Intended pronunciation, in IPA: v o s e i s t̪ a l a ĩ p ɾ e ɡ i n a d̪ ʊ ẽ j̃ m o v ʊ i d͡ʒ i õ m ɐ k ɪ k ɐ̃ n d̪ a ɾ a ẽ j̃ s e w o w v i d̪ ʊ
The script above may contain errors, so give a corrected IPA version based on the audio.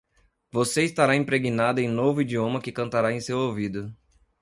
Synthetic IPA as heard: v o s e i s t̪ a ɾ a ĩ p ɾ e ɡ i n a d̪ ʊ ẽ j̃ n o v ʊ i d͡ʒ i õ m ɐ k ɪ k ɐ̃ n t̪ a ɾ a ẽ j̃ s e w o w v i d̪ ʊ